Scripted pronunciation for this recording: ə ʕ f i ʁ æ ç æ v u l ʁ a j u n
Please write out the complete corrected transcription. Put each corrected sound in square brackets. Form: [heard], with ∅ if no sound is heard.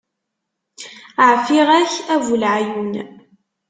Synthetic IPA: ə ʕ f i ʁ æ ç æ v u l [ʕ] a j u n

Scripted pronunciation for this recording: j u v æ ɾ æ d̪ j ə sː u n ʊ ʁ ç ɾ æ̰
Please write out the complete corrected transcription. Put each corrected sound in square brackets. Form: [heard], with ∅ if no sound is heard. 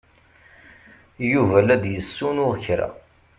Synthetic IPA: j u v æ [l] æ d̪ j ə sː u n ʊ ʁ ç ɾ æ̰

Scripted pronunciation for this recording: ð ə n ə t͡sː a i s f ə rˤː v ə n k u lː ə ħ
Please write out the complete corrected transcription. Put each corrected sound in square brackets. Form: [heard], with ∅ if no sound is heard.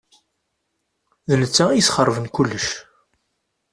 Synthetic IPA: ð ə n ə t͡sː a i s [χ] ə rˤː v ə n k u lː ə [ʃ]

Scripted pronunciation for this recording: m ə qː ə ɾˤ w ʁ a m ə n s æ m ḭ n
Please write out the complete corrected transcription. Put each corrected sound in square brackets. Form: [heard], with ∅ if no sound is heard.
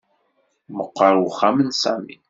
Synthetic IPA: m ə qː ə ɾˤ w [χ] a m ə n s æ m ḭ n

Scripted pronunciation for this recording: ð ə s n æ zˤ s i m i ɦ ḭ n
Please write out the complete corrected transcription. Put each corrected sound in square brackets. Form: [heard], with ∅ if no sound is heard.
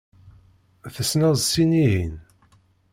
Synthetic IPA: [θ] ə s n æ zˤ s i [n] i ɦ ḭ n

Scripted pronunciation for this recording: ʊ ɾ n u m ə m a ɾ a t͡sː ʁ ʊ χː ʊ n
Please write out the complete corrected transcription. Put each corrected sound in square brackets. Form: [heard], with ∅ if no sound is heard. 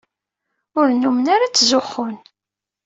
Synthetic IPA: ʊ ɾ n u m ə [n] a ɾ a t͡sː [z] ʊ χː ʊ n

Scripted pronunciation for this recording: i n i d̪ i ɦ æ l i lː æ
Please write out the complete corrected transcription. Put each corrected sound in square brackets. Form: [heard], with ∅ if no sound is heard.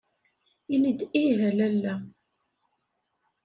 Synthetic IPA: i n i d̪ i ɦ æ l [æ] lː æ

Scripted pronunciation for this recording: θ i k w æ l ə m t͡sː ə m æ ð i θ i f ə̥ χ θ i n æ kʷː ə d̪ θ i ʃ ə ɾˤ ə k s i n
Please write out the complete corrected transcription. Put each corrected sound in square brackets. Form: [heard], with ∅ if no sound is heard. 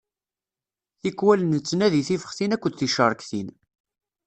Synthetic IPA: θ i k w æ l ə [n] t͡sː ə [n] æ ð i θ i f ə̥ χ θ i n æ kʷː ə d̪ θ i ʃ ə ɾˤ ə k [θ] i n

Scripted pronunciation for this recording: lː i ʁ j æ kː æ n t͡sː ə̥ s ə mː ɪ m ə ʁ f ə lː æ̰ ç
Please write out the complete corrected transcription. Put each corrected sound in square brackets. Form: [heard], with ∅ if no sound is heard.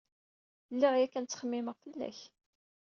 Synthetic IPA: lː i ʁ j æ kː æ n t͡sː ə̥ [χ] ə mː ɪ m ə ʁ f ə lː æ̰ ç

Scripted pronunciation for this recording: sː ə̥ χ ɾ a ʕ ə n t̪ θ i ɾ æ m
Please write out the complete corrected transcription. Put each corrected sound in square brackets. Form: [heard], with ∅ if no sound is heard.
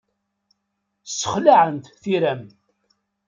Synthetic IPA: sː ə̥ χ [l] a ʕ ə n t̪ θ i ɾ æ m

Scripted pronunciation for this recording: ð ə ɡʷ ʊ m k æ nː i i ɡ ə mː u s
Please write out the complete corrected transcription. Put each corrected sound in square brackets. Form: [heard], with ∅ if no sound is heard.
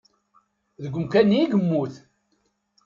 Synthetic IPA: ð ə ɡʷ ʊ m k æ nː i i ɡ ə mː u [θ]

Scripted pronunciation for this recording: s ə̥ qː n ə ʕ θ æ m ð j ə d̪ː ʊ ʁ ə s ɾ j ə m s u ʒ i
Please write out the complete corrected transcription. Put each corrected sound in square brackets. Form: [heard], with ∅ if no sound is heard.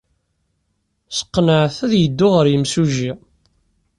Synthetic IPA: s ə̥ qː n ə ʕ θ æ [∅] ð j ə d̪ː ʊ ʁ ə [∅] ɾ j ə m s u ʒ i

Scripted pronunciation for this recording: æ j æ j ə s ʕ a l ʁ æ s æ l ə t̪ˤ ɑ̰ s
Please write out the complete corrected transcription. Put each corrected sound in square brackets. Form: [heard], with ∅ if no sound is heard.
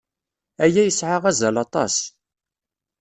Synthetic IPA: æ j æ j ə s ʕ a [∅] ʁ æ [z] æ l [ɑ] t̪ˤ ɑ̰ s

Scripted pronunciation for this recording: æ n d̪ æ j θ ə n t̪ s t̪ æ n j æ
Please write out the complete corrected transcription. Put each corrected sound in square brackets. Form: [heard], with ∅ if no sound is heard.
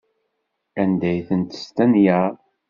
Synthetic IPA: æ n d̪ æ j θ ə n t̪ s t̪ æ n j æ

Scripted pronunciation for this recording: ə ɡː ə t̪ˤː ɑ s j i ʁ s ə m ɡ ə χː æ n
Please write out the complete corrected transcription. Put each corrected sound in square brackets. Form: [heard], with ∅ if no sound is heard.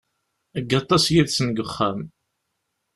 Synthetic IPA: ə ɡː [ɑ] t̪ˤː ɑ s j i [ð] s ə [n] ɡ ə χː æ [m]

